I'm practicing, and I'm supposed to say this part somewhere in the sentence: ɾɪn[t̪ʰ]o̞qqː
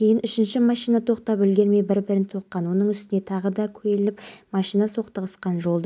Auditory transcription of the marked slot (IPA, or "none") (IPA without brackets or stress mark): t̪ʰ